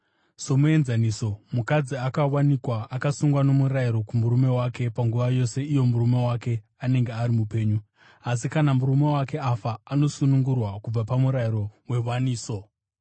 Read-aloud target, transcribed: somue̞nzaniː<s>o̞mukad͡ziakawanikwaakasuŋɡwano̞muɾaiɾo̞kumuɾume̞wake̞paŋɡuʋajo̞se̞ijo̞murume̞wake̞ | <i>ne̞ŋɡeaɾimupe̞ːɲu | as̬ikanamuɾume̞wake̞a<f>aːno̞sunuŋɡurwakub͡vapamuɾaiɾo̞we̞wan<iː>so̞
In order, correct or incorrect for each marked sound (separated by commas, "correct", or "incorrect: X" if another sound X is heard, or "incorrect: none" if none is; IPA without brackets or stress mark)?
correct, incorrect: a, correct, correct